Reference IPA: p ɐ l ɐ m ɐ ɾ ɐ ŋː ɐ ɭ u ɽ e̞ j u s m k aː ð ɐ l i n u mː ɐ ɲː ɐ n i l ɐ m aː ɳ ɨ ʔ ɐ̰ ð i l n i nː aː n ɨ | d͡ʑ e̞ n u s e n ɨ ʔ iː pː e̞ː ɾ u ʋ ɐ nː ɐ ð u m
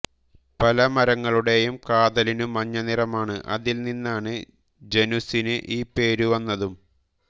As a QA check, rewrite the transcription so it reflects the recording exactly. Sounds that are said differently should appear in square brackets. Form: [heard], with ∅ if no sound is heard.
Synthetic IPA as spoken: p ɐ l ɐ m ɐ ɾ ɐ ŋː ɐ ɭ u ɽ e̞ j u [∅] m k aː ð ɐ l i n u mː ɐ ɲː ɐ n i [r] ɐ m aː ɳ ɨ ʔ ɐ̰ ð i l n i nː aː [ɳ] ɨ | d͡ʑ e̞ n u s [i] n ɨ ʔ iː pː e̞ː ɾ u ʋ ɐ nː ɐ ð u m